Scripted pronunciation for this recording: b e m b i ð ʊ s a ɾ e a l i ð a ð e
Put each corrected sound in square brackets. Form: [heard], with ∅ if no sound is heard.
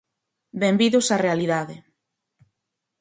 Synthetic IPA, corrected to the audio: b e m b i ð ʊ s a [r] e a l i ð a ð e